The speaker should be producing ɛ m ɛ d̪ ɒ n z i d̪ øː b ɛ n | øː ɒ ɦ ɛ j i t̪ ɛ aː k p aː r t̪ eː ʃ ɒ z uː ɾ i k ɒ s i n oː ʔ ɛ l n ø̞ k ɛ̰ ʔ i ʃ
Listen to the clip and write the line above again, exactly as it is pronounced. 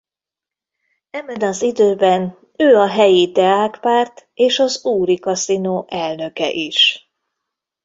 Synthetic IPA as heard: ɛ m ɛ d̪ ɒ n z i d̪ øː b ɛ n | øː ɒ ɦ ɛ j i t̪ ɛ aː k p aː r t̪ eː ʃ ɒ z uː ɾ i k ɒ s i n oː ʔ ɛ l n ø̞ k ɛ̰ ʔ i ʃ